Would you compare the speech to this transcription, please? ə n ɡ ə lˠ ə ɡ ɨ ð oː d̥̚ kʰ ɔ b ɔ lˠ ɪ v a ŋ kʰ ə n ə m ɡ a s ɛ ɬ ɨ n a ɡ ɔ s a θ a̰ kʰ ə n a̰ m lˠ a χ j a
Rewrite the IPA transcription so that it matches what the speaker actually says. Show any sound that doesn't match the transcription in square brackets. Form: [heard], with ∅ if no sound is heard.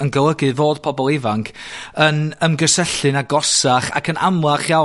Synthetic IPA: ə n ɡ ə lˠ ə ɡ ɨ [v] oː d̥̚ [pʰ] ɔ b ɔ lˠ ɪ v a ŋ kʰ ə n ə m ɡ [ə] s ɛ ɬ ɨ n a ɡ ɔ s a [χ] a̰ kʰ ə n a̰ m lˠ a χ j a

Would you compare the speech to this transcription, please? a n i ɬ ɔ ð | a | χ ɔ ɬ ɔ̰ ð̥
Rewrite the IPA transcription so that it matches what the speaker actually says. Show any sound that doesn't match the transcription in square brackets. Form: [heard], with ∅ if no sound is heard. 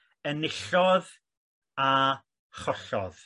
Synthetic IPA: [ə] n [ɪ] ɬ ɔ ð | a | χ ɔ ɬ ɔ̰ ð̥

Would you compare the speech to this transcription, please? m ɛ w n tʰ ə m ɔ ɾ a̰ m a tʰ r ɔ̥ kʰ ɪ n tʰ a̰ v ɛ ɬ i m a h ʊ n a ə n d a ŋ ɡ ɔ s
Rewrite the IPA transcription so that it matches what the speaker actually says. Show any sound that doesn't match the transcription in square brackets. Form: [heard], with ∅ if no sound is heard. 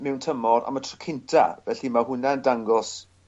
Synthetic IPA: m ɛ w n tʰ ə m ɔ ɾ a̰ m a tʰ r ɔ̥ kʰ ɪ n tʰ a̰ v ɛ ɬ i m a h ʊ n a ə n d a ŋ ɡ ɔ s

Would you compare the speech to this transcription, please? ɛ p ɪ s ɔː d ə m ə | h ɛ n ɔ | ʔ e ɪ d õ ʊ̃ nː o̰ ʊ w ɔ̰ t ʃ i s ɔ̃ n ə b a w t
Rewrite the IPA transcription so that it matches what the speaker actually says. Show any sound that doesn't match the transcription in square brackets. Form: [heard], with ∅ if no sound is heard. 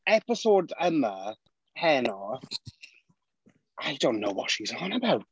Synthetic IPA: ɛ p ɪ s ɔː d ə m ə | h ɛ n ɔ | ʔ [a] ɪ d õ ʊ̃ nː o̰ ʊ w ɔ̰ t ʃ i [z] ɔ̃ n ə b a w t

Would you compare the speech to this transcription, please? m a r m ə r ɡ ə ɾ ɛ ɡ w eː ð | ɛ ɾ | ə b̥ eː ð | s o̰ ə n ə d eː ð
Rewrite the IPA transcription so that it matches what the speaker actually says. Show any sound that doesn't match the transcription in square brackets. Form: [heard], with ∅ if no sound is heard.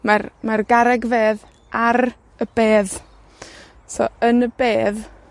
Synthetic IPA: m a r m [a] r ɡ [a] ɾ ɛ ɡ [v] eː ð | [a] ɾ | ə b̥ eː ð | s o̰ ə n ə [b] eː ð

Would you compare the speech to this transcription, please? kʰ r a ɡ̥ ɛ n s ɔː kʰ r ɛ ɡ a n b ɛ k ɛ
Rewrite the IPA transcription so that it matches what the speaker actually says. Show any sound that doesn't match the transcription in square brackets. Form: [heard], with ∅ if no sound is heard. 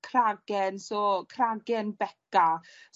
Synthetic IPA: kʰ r a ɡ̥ ɛ n s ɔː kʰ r [a] ɡ [ɛ] n b ɛ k [a]

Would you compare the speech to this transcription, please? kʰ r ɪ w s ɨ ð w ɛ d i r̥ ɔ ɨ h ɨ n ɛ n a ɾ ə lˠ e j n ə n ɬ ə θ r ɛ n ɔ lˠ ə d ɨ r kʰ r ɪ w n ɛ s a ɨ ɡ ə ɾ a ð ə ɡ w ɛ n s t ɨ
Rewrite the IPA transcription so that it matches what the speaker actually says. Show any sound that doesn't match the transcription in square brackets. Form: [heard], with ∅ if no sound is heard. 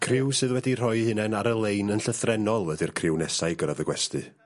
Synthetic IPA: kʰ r ɪ w s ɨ ð w ɛ d i r̥ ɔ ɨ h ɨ n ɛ n a ɾ ə lˠ e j n ə n ɬ ə θ r ɛ n ɔ lˠ ə d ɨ r kʰ r ɪ w n ɛ s a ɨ ɡ ə ɾ a ð ə ɡ w ɛ [∅] s t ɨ

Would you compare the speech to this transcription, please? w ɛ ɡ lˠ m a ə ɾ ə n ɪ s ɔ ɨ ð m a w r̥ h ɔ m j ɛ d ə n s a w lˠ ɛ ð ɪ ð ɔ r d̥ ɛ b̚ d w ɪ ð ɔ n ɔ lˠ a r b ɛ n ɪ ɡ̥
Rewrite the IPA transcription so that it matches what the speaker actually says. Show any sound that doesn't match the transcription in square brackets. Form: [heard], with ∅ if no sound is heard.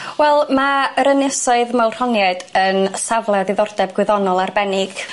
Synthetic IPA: w ɛ [∅] lˠ m a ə ɾ ə n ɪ s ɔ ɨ ð m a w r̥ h ɔ [n] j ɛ d ə n s a [v] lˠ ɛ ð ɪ ð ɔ r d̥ ɛ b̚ [ɡ] w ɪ ð ɔ n ɔ lˠ a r b ɛ n ɪ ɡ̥

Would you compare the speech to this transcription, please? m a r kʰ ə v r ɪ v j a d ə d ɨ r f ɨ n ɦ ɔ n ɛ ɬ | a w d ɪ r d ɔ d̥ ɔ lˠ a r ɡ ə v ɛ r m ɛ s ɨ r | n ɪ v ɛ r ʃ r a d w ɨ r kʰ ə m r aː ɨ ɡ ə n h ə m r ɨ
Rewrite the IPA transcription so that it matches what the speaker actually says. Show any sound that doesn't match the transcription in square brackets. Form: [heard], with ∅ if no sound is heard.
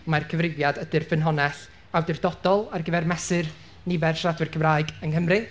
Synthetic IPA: m a r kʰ ə v r ɪ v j a d ə d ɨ r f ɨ n ɦ ɔ n ɛ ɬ | a w d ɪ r d ɔ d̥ ɔ lˠ a r ɡ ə v ɛ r m ɛ s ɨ r | n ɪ v ɛ r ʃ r a d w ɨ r kʰ ə m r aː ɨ ɡ ə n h ə m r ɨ

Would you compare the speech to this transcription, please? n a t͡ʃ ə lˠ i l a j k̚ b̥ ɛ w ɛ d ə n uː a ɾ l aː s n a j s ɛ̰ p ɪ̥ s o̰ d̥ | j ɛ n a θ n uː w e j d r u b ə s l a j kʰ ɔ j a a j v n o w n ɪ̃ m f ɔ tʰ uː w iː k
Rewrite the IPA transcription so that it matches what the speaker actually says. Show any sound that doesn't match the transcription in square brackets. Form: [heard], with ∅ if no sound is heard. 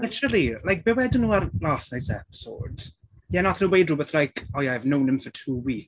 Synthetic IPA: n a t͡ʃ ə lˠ i l a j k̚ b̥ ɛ w ɛ d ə n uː a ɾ l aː s n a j s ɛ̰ p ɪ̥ s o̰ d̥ | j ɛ n a θ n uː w e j d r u b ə [θ] l a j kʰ ɔ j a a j v n o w n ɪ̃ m f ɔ tʰ uː w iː k

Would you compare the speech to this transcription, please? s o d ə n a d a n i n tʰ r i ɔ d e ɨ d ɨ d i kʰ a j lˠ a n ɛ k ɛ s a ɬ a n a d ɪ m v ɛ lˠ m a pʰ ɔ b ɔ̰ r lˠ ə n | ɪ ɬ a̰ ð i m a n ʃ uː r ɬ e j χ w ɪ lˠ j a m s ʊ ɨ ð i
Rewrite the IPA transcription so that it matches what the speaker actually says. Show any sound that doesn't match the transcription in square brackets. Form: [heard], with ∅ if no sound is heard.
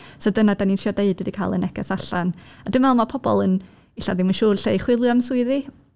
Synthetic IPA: s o d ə n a d a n i n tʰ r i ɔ d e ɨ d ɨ d i kʰ a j lˠ [ə] n ɛ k ɛ s a ɬ a n a d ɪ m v ɛ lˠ m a pʰ ɔ b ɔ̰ [∅] lˠ ə n | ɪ ɬ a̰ ð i m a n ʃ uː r ɬ e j χ w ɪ lˠ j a m s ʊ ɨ ð i

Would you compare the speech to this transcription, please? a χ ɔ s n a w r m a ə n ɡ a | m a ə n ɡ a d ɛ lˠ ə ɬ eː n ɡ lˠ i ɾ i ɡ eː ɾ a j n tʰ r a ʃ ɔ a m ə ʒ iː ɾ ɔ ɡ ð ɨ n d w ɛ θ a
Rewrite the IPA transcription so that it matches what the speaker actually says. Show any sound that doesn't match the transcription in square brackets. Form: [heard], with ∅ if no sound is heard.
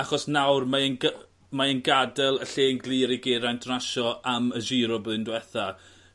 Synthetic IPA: a χ ɔ s n a w r m a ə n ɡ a | m a ə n ɡ a d ɛ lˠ ə ɬ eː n ɡ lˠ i ɾ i ɡ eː ɾ a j n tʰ r a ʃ ɔ a m ə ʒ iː ɾ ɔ [b] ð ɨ n d w ɛ θ a

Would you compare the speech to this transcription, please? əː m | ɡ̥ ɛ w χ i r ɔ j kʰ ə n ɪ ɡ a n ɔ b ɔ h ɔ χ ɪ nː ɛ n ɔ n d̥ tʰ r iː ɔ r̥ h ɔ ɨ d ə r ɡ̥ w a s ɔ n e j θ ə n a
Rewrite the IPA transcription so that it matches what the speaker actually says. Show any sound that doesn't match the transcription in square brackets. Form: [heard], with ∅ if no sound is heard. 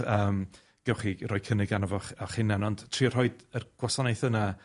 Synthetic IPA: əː m | ɡ̥ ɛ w χ i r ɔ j kʰ ə n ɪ ɡ a n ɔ [v] ɔ [χ] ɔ χ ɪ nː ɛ n ɔ n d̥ tʰ r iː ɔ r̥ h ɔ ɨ d ə r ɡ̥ w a s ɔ n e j θ ə n a

